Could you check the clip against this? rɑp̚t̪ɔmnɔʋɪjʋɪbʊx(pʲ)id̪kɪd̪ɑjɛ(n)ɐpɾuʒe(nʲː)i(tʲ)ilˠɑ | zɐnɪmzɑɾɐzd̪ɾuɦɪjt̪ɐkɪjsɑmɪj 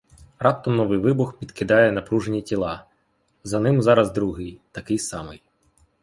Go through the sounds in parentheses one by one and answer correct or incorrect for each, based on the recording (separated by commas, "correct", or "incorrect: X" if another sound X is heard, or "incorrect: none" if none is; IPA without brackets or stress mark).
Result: correct, correct, incorrect: nʲ, correct